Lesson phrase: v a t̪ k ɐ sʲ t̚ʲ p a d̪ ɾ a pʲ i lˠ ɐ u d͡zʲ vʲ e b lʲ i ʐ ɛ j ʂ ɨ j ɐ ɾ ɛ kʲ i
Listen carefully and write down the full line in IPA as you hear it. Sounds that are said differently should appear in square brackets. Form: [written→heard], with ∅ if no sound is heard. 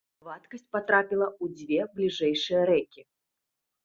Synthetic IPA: v a t̪ k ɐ sʲ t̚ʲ p a [d̪→t̪] ɾ a pʲ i lˠ ɐ u d͡zʲ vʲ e b lʲ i ʐ ɛ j ʂ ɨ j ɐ ɾ ɛ kʲ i